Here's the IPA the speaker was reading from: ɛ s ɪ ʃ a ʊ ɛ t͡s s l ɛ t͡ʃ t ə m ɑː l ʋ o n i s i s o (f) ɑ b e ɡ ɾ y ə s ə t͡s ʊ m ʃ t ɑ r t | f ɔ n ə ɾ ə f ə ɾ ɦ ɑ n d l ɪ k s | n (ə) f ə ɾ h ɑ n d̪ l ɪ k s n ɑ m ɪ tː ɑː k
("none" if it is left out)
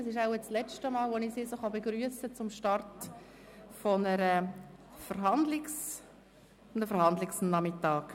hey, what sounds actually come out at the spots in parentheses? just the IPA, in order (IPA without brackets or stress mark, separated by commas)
χ, ə